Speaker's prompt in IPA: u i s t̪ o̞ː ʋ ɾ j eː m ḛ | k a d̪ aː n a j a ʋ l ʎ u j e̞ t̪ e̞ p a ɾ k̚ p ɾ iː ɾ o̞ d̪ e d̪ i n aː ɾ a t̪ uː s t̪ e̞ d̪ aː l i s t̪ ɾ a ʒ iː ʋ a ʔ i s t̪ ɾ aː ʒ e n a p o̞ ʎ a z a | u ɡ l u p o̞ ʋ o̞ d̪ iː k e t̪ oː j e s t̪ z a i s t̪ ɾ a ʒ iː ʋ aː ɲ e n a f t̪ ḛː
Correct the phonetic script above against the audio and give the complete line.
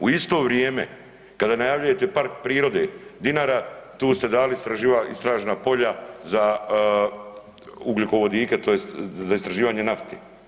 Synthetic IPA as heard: u i s t̪ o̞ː ʋ ɾ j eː m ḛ | k a d̪ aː n a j a ʋ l ʎ u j e̞ t̪ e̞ p a ɾ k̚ p ɾ iː ɾ o̞ d̪ e d̪ i n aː ɾ a t̪ uː s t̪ e̞ d̪ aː l i s t̪ ɾ a ʒ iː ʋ a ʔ i s t̪ ɾ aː ʒ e n a p o̞ ʎ a z a | u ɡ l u k o̞ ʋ o̞ d̪ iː k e t̪ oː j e s t̪ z a i s t̪ ɾ a ʒ iː ʋ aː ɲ e n a f t̪ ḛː